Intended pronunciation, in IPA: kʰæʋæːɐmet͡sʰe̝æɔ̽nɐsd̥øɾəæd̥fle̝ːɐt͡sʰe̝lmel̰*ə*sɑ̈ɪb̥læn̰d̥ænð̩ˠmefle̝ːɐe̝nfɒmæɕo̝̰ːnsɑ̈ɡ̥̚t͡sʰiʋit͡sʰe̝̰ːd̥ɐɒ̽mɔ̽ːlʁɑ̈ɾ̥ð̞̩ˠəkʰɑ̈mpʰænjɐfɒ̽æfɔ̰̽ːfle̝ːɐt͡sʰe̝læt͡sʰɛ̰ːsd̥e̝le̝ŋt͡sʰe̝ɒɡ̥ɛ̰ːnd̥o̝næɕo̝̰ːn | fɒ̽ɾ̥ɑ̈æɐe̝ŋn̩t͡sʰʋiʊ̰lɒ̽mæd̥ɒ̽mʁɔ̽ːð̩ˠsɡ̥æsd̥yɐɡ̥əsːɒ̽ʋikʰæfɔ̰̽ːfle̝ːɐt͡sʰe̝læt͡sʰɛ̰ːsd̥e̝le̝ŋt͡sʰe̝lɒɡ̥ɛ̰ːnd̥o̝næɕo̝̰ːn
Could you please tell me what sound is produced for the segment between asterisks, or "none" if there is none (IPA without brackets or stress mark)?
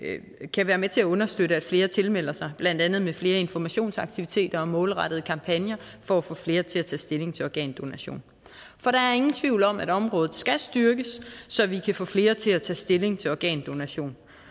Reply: ɐ